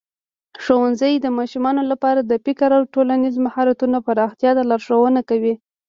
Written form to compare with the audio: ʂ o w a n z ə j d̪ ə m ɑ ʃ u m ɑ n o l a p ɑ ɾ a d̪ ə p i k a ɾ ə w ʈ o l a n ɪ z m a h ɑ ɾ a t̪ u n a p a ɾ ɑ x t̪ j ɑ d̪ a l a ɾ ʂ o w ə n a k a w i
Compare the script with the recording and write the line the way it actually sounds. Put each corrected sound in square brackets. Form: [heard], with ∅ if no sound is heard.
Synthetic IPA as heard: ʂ o w a n z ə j d̪ ə m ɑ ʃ u m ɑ n o l a p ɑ ɾ a d̪ ə p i k a ɾ [a] w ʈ o l a n [i] z m a h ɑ ɾ a t̪ u n a p a ɾ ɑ x t̪ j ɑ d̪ a l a ɾ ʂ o w ə n a k a w i